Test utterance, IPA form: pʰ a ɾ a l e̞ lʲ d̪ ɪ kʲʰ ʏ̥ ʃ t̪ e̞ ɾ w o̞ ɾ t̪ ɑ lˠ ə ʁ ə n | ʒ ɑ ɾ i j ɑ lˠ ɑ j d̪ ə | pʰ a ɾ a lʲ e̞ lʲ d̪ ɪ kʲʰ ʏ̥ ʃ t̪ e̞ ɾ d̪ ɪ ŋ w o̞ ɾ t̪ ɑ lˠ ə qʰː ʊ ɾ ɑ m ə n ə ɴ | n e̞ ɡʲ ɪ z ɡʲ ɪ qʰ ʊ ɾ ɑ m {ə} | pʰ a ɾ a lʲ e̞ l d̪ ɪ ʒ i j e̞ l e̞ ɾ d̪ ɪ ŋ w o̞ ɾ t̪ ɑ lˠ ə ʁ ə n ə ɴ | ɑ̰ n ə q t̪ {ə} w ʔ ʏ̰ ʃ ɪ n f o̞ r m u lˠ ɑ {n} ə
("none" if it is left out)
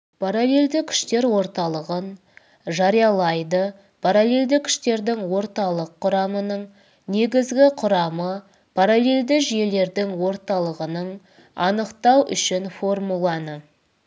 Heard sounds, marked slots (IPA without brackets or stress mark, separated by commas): ə, ɑ, n